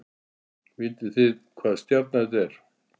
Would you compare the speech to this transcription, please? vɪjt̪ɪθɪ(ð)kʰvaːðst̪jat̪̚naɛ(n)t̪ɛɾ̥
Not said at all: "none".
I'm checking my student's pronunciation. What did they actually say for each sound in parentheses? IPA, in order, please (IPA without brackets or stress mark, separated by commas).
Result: ð, none